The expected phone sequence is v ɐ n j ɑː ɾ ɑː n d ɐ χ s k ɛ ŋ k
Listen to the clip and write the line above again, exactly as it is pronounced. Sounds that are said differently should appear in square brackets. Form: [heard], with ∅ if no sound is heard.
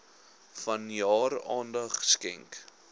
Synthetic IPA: [f] ɐ n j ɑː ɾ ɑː n d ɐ χ s k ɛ ŋ k